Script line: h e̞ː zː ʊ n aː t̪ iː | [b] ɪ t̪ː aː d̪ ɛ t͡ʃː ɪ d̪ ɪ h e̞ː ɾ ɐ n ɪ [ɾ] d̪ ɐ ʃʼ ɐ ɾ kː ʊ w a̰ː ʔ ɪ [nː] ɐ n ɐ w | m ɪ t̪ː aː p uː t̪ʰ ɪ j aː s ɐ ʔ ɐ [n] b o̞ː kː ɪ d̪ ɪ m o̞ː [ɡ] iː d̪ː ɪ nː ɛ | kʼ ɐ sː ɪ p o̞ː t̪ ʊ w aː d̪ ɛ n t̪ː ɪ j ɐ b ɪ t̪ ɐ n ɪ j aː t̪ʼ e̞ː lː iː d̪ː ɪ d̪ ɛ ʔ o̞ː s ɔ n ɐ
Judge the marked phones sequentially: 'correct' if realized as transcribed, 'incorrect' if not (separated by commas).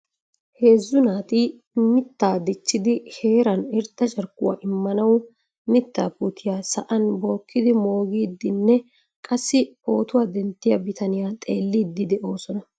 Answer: incorrect, correct, incorrect, correct, correct